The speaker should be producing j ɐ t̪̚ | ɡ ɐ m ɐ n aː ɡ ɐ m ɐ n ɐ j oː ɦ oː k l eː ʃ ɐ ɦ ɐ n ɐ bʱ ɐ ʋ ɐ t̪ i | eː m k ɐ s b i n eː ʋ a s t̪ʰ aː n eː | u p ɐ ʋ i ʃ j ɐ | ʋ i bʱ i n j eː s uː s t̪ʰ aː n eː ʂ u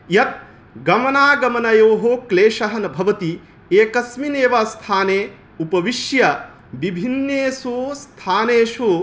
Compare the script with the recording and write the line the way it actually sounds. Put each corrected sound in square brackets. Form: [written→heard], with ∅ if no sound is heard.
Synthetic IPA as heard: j ɐ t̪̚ | ɡ ɐ m ɐ n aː ɡ ɐ m ɐ n ɐ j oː ɦ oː k l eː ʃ ɐ ɦ ɐ n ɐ bʱ ɐ ʋ ɐ t̪ i | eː [m→∅] k ɐ s [b→m] i n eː ʋ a s t̪ʰ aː n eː | u p ɐ ʋ i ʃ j ɐ | ʋ i bʱ i n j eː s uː s t̪ʰ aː n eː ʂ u